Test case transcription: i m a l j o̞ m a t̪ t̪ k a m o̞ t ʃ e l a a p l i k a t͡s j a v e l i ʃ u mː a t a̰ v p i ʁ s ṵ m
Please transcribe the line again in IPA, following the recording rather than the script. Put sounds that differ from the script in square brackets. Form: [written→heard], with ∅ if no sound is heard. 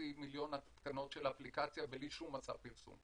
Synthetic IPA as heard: i m [a→i] l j o̞ [m→n] a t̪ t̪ k a [m→n] o̞ t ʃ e l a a p l i k a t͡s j a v e l i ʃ u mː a [t→t͡s] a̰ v p i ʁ s ṵ m